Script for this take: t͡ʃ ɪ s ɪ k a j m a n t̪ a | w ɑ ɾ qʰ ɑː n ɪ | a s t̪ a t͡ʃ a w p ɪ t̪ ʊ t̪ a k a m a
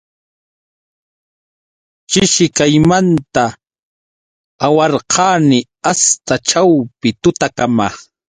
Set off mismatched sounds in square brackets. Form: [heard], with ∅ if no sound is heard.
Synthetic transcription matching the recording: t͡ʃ ɪ [ʃ] ɪ k a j m a n t̪ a | w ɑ ɾ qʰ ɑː n ɪ | a s t̪ a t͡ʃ a w p ɪ t̪ ʊ t̪ a k a m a